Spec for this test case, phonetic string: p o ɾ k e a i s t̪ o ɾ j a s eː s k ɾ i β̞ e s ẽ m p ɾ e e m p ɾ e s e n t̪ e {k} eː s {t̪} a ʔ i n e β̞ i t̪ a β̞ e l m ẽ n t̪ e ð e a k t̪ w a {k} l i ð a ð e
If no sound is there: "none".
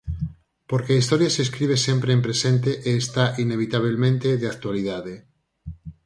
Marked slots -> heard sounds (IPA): ʔ, t̪, none

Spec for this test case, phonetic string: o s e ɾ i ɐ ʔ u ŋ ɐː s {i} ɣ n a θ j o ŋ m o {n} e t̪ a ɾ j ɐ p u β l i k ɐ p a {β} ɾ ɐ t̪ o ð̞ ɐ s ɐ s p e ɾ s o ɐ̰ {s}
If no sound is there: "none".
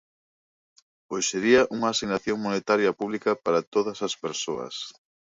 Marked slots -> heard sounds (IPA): i, n, none, s

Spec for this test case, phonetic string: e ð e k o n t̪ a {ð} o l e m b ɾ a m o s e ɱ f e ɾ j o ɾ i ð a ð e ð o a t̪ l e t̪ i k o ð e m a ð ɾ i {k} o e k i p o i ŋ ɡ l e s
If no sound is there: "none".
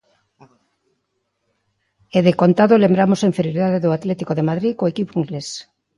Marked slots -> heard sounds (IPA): ð, k

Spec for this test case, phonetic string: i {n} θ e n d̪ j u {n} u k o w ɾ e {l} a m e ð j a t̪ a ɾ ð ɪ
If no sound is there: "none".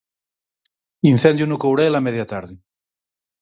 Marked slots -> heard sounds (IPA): n, n, l

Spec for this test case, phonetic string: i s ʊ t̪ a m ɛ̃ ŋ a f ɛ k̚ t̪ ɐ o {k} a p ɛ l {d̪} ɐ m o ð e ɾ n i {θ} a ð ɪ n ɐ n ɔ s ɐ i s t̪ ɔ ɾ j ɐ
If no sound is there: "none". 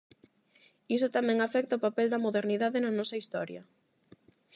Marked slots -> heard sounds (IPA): p, d̪, ð

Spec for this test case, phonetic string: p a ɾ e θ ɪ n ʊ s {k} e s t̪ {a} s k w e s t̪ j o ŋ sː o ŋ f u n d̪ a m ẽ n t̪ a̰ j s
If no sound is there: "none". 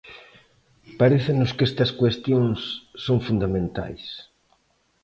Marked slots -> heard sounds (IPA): k, ɐ

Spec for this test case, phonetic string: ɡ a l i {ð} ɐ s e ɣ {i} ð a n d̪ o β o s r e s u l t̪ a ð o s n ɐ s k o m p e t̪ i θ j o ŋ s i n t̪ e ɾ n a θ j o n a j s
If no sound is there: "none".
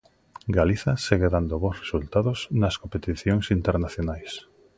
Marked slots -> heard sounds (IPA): θ, e

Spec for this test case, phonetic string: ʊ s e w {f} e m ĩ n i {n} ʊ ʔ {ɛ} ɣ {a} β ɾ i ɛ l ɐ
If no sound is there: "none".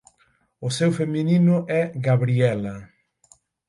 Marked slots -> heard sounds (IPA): f, n, ɛ, a

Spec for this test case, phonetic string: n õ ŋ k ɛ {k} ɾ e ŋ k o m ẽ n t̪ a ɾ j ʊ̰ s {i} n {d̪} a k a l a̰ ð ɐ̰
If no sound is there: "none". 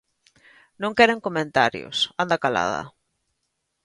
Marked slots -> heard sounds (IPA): none, a, d̪

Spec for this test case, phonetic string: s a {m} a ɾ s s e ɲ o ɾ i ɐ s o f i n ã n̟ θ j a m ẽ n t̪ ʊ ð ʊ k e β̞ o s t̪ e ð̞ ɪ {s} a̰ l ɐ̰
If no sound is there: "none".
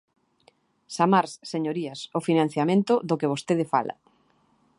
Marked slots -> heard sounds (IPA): m, f

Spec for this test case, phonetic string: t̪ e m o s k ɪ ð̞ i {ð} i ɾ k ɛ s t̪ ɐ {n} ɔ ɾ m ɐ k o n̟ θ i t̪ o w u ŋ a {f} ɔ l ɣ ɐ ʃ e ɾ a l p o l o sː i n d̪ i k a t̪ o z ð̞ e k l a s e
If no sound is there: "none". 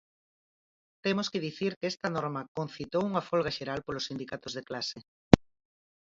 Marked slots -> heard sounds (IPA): θ, n, f

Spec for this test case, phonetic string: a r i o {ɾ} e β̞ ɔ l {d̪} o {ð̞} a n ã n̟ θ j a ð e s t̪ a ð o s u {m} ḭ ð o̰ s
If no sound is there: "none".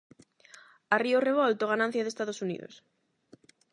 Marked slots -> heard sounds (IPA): r, t̪, ɣ̞, n

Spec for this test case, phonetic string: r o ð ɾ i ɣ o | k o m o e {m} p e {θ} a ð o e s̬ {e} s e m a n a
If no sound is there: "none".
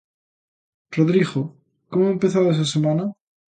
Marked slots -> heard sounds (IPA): m, θ, a

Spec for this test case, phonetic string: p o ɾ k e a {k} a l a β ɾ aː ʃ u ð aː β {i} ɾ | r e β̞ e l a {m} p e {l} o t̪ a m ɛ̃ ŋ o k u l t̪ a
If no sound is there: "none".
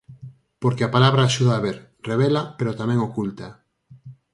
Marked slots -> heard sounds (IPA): p, e, none, ɾ

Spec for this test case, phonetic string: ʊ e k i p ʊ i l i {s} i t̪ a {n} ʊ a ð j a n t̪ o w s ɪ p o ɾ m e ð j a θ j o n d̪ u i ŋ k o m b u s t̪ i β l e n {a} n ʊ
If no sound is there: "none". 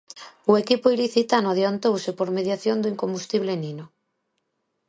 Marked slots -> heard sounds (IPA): θ, n, i

